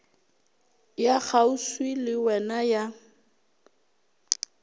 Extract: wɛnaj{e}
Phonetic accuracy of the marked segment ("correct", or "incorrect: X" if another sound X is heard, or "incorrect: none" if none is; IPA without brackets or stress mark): incorrect: a